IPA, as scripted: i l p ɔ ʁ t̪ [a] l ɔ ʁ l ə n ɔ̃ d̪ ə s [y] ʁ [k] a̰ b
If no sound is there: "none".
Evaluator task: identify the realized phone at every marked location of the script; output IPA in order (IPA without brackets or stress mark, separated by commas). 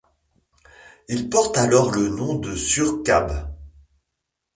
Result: a, y, k